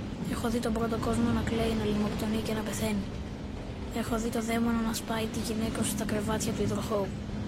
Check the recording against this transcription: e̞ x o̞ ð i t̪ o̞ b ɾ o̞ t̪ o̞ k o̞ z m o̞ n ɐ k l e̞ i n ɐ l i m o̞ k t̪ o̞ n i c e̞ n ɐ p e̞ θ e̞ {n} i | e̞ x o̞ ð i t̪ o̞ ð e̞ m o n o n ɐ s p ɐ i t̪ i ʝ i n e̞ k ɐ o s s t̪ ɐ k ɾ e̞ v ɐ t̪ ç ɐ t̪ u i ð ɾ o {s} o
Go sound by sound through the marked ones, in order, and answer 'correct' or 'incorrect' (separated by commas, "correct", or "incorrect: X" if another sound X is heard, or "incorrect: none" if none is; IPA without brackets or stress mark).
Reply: correct, incorrect: x